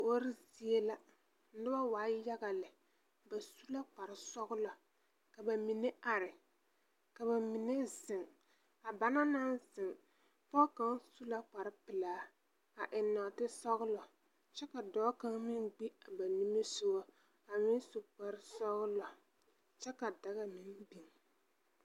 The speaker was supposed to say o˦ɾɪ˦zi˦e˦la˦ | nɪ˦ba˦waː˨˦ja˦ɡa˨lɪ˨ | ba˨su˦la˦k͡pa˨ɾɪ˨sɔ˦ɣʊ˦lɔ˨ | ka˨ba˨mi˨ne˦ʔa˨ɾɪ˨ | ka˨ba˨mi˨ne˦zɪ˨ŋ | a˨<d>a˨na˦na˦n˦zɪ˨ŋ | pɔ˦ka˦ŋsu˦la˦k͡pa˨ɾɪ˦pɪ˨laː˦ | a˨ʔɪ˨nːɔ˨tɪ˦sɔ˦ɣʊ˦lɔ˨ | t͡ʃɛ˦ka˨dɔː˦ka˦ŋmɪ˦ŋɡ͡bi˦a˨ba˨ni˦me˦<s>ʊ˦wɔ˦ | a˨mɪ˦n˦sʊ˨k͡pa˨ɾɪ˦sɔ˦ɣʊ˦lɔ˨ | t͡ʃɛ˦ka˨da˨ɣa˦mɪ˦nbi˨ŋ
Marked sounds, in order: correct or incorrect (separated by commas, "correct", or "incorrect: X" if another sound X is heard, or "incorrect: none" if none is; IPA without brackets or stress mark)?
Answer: incorrect: b, correct